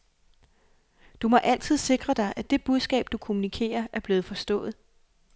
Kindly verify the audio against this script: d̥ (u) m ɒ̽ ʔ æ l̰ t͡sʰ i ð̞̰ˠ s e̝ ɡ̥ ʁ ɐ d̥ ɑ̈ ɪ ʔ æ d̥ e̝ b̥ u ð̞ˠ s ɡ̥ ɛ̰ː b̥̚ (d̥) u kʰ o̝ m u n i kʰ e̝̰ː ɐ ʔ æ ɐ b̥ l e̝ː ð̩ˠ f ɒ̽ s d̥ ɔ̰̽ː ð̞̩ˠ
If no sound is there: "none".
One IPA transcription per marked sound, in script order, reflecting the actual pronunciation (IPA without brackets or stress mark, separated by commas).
u, d̥